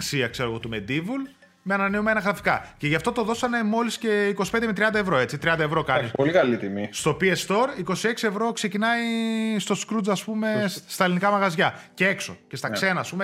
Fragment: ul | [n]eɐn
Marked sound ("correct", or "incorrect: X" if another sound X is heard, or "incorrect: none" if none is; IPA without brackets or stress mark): incorrect: m